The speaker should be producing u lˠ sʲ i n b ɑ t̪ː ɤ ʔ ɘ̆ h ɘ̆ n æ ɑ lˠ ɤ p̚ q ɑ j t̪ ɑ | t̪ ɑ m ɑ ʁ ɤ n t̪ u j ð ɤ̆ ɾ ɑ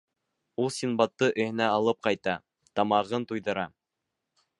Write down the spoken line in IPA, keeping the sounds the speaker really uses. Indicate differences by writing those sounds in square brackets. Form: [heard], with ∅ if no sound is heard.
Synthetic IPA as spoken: u lˠ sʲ i n b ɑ t̪ː ɤ ʔ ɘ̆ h ɘ̆ n æ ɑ lˠ ɤ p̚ q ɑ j t̪ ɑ | t̪ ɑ m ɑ ʁ ɤ n t̪ u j ð ɤ̆ ɾ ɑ